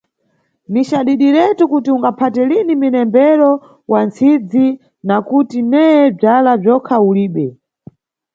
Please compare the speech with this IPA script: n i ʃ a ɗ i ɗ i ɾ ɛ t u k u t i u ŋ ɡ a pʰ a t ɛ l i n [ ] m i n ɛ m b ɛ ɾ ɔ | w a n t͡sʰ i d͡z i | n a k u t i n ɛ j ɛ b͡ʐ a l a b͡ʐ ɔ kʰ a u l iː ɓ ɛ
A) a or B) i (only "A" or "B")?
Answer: B